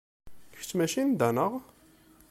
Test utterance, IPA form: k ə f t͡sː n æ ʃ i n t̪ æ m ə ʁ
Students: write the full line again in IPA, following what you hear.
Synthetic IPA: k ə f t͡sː m æ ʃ i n d̪ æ n ə ʁ